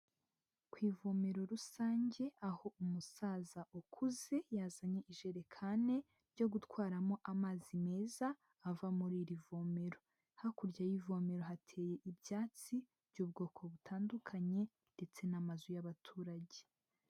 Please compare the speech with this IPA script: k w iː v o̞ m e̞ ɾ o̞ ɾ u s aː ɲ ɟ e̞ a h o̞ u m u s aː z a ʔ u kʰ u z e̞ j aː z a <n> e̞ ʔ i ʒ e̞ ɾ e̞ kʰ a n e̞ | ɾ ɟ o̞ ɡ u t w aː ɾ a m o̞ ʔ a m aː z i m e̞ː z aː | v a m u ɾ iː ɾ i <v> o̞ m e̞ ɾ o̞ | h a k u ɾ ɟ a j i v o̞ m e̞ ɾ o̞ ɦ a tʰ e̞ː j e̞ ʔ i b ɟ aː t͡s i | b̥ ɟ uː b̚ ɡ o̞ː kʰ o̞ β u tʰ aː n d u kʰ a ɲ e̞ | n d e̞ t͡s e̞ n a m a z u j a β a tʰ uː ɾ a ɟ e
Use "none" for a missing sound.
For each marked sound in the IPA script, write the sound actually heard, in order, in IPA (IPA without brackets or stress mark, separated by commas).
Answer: ɲ, v